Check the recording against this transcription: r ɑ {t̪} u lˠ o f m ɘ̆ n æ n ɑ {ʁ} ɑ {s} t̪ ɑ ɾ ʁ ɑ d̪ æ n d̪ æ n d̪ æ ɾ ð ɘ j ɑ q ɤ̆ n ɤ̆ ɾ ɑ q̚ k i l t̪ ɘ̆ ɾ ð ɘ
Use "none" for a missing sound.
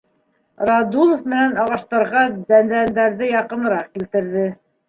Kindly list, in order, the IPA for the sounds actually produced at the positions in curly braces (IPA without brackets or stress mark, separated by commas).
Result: d̪, ʁ, ʃ